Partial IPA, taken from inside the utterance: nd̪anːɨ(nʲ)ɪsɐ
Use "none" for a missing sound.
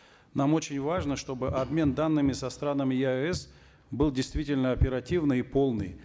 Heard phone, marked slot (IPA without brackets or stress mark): mʲ